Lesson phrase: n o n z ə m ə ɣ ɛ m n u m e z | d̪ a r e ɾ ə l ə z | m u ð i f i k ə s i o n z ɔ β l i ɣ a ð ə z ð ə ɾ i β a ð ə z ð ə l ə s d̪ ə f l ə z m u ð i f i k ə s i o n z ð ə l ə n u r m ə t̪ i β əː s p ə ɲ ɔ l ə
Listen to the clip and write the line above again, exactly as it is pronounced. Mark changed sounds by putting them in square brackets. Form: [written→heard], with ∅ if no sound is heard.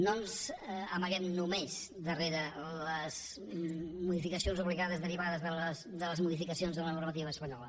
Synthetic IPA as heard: n o n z ə m ə ɣ ɛ m n u m e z | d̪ [a→ə] r e ɾ ə l ə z | m u ð i f i k ə s i o n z [ɔ→u] β l i ɣ a ð ə z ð ə ɾ i β a ð ə z ð ə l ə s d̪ ə [f→∅] l ə z m u ð i f i k ə s i o n z ð ə l ə n u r m ə t̪ i β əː s p ə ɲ ɔ l ə